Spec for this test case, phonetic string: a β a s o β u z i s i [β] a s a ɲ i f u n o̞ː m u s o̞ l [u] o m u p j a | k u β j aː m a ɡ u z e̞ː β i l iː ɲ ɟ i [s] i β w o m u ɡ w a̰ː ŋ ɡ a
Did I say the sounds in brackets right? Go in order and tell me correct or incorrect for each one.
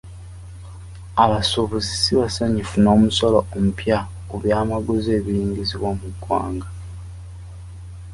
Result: correct, incorrect: o, incorrect: z

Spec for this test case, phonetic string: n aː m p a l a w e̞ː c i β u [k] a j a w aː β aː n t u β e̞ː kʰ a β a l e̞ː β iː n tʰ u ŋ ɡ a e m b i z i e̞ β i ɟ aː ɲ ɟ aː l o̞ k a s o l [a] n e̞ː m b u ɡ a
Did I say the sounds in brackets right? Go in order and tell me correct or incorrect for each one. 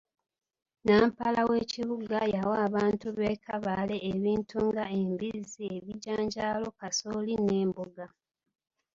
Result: incorrect: ɡ, incorrect: i

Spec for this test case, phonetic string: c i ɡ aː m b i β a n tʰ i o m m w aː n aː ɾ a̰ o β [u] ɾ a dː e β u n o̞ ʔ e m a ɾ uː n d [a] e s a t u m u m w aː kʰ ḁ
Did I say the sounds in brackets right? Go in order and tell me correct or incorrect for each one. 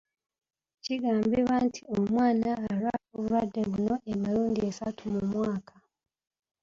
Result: correct, incorrect: i

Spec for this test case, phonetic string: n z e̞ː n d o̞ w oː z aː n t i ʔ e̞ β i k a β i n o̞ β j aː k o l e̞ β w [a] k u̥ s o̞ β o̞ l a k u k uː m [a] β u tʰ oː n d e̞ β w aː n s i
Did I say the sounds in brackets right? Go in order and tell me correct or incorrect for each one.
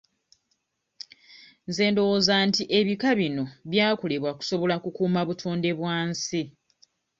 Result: correct, correct

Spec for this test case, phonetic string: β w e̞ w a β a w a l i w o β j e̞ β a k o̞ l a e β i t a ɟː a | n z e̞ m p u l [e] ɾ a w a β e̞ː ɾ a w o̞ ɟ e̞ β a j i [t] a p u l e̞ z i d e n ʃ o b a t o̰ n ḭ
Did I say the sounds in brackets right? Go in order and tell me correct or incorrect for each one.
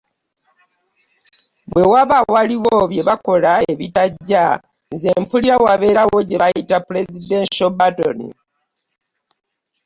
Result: incorrect: i, correct

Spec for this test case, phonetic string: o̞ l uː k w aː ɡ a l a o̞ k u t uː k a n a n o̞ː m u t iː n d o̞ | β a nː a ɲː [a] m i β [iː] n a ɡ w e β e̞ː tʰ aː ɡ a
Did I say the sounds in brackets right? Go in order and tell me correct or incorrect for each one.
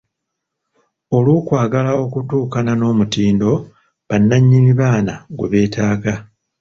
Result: incorrect: i, incorrect: aː

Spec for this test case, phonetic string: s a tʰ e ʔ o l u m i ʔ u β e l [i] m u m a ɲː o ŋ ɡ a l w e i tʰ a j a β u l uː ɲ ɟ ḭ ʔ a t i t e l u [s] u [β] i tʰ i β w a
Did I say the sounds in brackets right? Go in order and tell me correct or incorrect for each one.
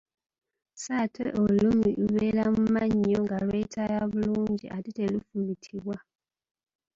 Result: incorrect: a, incorrect: f, correct

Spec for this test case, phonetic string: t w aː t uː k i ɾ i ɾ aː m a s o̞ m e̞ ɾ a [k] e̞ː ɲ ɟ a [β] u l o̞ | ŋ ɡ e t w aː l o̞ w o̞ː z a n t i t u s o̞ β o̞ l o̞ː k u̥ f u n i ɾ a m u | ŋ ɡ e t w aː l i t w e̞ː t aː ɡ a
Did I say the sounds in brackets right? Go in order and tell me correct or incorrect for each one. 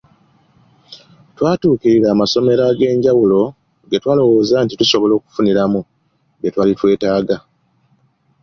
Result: incorrect: ɡ, incorrect: w

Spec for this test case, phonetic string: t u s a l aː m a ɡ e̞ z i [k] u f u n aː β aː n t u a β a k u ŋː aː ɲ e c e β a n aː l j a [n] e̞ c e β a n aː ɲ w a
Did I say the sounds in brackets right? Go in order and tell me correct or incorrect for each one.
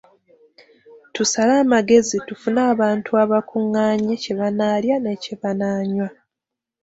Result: incorrect: t, correct

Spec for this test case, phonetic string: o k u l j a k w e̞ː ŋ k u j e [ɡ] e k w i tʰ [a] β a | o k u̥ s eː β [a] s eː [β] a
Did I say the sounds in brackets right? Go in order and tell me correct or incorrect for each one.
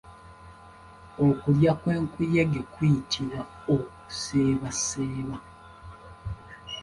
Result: correct, incorrect: i, correct, correct

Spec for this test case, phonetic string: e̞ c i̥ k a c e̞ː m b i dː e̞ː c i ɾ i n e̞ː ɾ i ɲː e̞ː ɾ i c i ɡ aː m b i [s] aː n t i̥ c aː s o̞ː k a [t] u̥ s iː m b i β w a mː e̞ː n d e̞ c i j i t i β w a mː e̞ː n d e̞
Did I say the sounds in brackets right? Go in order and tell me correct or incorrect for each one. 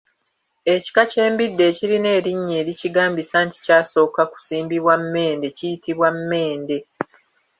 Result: correct, incorrect: k

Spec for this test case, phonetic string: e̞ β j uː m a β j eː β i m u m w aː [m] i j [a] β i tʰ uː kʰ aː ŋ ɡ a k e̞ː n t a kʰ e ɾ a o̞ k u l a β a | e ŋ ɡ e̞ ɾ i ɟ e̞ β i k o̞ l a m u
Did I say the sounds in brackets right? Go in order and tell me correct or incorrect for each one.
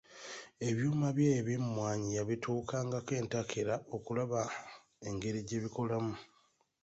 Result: incorrect: ɲ, correct

